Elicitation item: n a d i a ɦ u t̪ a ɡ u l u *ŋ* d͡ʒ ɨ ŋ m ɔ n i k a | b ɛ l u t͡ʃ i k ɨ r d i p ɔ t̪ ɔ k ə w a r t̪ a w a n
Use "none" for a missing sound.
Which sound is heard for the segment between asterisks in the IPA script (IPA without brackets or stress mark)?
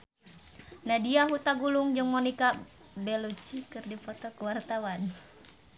ŋ